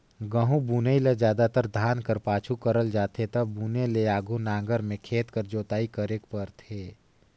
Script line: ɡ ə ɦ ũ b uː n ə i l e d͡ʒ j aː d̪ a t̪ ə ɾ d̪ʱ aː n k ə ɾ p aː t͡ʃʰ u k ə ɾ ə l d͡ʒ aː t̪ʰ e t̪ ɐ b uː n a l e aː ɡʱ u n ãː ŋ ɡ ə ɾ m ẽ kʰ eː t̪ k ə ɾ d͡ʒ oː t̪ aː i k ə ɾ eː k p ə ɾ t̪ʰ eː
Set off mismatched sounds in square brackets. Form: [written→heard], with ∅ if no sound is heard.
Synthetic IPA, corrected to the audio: ɡ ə ɦ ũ b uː n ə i l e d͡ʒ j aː d̪ a t̪ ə ɾ d̪ʱ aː n k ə ɾ p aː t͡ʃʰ u k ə ɾ ə l d͡ʒ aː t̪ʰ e t̪ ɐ b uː n [a→e] l e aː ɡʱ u n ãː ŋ ɡ ə ɾ m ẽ kʰ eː t̪ k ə ɾ d͡ʒ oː t̪ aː i k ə ɾ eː k p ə ɾ t̪ʰ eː